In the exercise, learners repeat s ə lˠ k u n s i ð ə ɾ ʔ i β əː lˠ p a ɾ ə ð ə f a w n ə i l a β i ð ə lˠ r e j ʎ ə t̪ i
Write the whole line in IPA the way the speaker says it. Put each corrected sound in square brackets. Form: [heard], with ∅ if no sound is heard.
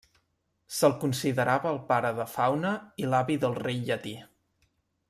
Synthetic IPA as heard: s ə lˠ k u n s i ð ə ɾ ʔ [a] β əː lˠ p a ɾ ə ð ə f a w n ə i l a β i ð ə lˠ r e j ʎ ə t̪ i